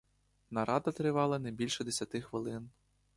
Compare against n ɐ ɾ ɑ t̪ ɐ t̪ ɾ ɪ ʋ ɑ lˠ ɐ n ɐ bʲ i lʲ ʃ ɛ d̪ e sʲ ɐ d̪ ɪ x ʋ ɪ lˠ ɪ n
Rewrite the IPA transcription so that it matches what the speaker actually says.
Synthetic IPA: n ɐ ɾ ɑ d̪ ɐ t̪ ɾ ɪ ʋ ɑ lˠ ɐ n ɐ bʲ i lʲ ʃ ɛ d̪ e sʲ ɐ t̪ ɪ x ʋ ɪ lˠ ɪ n